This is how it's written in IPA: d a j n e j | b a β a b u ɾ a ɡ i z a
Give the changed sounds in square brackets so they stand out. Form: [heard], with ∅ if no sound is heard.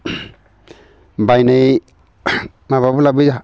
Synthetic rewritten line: [b] a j n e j | [m] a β a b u [l] a [b] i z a

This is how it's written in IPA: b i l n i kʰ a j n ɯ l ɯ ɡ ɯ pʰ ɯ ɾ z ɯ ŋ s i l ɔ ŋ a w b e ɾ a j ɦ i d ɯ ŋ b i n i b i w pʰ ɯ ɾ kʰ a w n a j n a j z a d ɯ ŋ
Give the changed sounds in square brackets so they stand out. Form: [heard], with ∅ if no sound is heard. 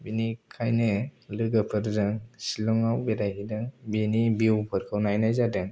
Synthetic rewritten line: b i [∅] n i kʰ a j n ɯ l ɯ ɡ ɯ pʰ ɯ ɾ z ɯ ŋ s i l ɔ ŋ a w b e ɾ a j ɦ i d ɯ ŋ b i n i b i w pʰ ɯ ɾ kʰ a w n a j n a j z a d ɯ ŋ

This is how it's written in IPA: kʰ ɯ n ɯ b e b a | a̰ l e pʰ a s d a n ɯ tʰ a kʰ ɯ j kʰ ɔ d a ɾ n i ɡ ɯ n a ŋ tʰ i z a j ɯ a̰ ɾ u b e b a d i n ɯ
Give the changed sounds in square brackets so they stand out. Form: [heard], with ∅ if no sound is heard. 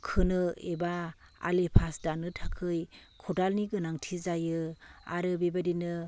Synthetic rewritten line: kʰ ɯ n ɯ [∅] e b a | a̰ l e pʰ a s d a n ɯ tʰ a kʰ ɯ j kʰ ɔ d a [l] n i ɡ ɯ n a ŋ tʰ i z a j ɯ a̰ ɾ [ɯ] b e b a d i n ɯ

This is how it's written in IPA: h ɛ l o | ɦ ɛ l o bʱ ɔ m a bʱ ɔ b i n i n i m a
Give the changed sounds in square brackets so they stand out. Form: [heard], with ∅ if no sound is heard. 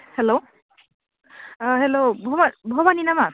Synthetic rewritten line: h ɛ l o | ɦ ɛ l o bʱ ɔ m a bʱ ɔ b [a] n i n [a] m a

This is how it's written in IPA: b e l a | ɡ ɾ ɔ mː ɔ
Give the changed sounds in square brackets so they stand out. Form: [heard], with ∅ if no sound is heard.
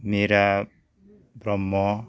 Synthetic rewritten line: [m] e [ɾ] a | [b] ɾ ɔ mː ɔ

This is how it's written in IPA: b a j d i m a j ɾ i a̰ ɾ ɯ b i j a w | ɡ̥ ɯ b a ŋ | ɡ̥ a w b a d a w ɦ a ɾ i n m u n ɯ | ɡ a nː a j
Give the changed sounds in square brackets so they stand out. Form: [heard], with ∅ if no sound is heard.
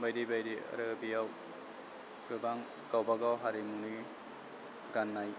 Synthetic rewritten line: b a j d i [b] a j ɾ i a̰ ɾ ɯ b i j a w | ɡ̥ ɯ b a ŋ | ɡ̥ a w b a [ɡ] a w ɦ a ɾ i [∅] m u n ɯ | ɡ a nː a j

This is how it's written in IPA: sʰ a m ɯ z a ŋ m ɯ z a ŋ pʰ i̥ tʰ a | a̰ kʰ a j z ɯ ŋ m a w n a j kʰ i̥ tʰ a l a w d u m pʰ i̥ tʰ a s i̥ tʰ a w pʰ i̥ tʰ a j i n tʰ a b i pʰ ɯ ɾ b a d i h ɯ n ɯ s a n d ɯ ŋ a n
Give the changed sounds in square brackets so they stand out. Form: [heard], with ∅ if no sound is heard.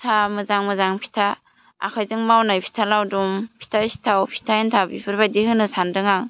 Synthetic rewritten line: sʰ a m ɯ z a ŋ m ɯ z a ŋ pʰ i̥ tʰ a | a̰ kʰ a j z ɯ ŋ m a w n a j [pʰ] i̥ tʰ a l a w d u m pʰ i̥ tʰ a s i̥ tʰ a w pʰ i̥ tʰ a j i n tʰ a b i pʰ ɯ ɾ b a d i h ɯ n ɯ s a n d ɯ ŋ a [ŋ]

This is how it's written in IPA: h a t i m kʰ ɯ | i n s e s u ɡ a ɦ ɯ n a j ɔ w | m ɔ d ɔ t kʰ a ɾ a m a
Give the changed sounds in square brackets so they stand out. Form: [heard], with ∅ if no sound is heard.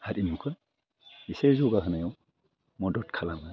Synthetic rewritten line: h a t i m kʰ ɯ | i [∅] s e [z] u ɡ a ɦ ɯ n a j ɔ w | m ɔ d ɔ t kʰ a [l] a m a

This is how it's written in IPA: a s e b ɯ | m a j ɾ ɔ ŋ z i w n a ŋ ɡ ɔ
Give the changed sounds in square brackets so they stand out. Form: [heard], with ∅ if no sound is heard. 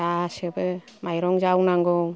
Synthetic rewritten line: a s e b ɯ | m a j ɾ ɔ ŋ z [a] w n a ŋ ɡ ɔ

